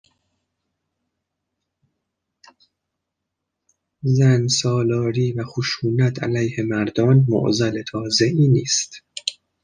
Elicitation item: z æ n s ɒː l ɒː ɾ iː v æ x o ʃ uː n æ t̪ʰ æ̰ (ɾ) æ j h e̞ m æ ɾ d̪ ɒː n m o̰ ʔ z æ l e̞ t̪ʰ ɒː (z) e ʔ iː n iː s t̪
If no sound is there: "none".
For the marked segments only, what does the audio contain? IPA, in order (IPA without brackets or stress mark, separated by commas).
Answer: l, z